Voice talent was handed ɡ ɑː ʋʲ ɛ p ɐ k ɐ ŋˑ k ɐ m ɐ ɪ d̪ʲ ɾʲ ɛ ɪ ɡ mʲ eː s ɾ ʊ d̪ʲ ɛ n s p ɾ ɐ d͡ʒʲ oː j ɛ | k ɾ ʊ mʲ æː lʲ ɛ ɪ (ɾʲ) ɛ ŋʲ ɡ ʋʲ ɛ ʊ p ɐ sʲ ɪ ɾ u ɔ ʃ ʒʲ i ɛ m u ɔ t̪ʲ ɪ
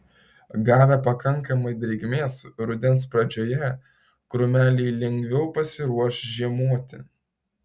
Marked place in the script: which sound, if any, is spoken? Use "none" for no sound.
lʲ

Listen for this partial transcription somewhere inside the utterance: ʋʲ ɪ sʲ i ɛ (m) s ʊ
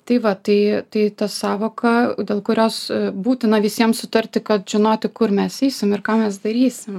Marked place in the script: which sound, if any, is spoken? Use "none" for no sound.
m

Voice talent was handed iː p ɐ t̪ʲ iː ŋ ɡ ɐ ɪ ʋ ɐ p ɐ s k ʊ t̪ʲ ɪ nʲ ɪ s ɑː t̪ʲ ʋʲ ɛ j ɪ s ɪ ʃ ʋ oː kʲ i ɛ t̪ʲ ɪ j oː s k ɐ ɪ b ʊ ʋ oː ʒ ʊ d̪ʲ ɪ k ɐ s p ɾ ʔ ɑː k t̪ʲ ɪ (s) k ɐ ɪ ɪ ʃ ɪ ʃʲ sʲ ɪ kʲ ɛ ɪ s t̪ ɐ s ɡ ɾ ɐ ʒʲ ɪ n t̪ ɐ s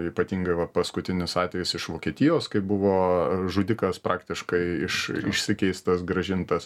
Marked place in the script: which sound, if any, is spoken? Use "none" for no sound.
ʃ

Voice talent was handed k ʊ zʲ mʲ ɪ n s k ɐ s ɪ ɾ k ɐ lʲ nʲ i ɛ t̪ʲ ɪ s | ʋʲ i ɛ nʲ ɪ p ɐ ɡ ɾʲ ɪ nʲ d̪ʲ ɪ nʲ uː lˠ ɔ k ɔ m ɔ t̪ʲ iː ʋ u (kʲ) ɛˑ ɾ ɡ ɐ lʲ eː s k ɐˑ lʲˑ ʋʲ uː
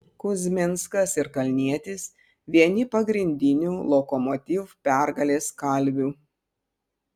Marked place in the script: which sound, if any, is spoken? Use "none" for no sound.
pʲ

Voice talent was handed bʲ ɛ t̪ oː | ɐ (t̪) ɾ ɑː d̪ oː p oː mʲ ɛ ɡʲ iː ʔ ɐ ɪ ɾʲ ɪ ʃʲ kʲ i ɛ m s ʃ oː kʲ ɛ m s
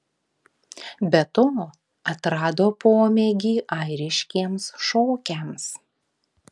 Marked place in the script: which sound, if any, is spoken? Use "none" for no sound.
t̪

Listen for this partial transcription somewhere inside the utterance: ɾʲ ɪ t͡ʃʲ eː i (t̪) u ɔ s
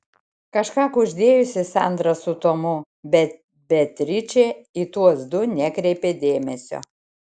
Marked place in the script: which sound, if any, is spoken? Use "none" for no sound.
t̪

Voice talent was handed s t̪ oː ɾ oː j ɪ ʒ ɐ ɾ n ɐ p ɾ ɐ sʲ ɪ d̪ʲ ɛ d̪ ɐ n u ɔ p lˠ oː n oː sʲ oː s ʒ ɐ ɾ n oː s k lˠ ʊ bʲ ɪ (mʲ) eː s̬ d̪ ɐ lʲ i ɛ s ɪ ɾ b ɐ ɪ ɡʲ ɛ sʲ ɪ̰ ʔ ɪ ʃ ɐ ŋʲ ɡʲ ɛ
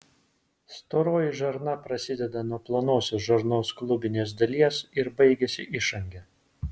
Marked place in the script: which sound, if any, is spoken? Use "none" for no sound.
nʲ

